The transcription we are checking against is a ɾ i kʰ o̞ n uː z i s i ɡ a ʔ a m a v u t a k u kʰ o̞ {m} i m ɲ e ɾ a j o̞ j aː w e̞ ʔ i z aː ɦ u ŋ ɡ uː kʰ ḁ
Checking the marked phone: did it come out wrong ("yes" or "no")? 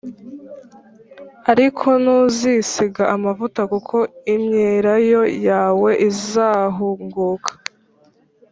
yes